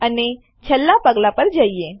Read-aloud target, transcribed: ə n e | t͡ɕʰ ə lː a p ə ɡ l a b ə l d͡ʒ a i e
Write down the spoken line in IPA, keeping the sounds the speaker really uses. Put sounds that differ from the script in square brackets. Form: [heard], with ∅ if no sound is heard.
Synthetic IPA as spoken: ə n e | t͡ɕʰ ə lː a p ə ɡ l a [p] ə [ɾ] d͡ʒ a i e